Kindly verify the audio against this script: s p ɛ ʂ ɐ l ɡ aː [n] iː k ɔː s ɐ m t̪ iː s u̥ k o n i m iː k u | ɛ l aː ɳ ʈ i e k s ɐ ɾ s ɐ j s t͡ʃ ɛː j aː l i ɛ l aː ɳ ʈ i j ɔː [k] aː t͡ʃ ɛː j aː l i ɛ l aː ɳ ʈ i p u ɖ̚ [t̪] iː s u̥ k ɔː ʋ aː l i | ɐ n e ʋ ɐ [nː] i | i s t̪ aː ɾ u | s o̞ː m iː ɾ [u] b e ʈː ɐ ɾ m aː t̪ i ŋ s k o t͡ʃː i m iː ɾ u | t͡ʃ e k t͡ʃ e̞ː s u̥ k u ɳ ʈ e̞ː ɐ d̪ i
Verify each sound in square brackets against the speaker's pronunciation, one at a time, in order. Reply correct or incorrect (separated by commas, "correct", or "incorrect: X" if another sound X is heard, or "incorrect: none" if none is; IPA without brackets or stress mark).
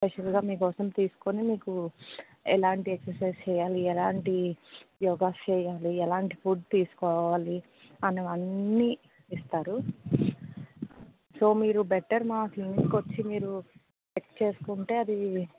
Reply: incorrect: m, incorrect: ɡ, correct, correct, correct